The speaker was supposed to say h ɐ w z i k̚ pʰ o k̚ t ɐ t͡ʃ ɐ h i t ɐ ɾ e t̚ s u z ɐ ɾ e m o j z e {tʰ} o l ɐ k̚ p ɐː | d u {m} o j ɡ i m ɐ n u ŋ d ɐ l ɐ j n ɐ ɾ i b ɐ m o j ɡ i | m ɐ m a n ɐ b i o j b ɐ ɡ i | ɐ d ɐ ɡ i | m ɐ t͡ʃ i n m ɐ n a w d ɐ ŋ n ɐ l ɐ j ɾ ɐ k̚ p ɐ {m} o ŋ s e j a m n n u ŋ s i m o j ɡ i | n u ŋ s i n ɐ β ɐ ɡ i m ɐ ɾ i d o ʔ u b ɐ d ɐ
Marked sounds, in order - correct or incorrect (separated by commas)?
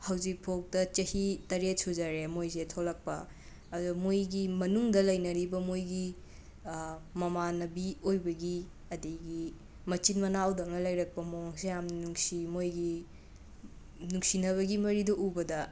correct, correct, correct